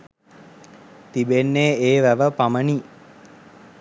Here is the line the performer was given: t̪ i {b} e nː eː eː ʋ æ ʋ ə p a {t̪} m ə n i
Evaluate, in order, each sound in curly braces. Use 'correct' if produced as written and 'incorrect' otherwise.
correct, incorrect

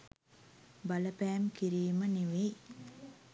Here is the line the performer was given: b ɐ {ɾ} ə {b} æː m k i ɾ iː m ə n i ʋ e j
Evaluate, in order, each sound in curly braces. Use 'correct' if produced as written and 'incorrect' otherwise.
incorrect, incorrect

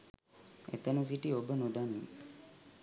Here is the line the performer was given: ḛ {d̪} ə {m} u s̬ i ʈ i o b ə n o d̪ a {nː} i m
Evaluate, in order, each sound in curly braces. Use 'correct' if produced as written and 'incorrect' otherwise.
incorrect, incorrect, incorrect

